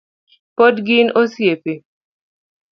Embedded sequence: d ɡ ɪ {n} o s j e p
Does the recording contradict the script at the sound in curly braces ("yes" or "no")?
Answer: no